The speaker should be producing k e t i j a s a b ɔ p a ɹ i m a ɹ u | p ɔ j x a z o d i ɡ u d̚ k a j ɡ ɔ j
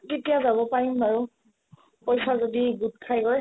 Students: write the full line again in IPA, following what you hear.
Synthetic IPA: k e t i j a z a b ɔ p a ɹ i m a ɹ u | p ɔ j s a z o d i ɡ u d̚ kʰ a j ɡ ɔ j